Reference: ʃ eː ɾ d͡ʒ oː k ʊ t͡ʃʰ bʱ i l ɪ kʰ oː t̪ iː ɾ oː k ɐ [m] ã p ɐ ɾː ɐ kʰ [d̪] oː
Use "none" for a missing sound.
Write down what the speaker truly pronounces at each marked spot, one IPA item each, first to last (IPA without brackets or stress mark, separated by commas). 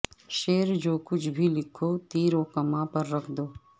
m, d̪